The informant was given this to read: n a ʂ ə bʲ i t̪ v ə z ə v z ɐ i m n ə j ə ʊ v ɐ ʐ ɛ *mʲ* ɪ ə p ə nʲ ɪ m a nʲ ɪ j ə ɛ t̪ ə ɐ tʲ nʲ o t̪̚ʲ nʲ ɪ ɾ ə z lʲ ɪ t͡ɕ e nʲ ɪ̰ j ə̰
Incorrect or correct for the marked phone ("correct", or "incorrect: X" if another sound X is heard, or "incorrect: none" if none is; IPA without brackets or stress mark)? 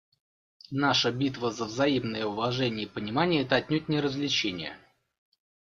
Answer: incorrect: nʲ